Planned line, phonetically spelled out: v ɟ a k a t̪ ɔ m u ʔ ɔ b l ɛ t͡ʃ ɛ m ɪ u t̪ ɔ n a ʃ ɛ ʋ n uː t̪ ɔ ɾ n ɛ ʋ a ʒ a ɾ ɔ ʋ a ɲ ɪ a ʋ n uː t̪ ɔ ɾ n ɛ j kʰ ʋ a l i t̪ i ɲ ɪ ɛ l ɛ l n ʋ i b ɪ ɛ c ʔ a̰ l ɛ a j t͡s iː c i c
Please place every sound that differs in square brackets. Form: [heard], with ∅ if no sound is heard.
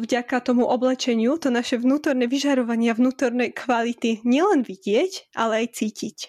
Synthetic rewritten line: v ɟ a k a t̪ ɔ m u ʔ ɔ b l ɛ t͡ʃ ɛ [ɲ] ɪ u t̪ ɔ n a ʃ ɛ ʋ n uː t̪ ɔ ɾ n ɛ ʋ [i] ʒ a ɾ ɔ ʋ a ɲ ɪ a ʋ n uː t̪ ɔ ɾ n ɛ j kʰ ʋ a l i t̪ i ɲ ɪ ɛ l ɛ [∅] n ʋ i [ɟ] ɪ ɛ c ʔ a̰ l ɛ a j t͡s iː c i c